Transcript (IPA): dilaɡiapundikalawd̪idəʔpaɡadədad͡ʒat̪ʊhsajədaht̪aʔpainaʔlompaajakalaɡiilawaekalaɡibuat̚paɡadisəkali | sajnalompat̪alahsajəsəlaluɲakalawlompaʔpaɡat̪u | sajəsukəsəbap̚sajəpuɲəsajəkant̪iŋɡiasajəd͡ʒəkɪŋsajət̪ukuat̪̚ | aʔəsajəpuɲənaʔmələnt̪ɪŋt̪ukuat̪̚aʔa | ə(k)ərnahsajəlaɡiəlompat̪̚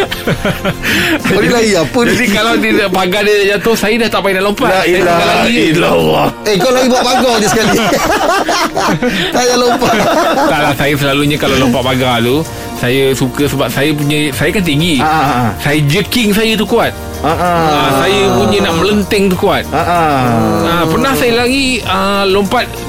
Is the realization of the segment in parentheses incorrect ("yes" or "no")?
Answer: yes